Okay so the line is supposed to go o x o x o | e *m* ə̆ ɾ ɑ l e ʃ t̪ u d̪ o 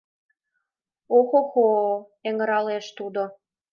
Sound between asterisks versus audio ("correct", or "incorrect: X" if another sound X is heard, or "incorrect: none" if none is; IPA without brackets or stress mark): incorrect: ŋ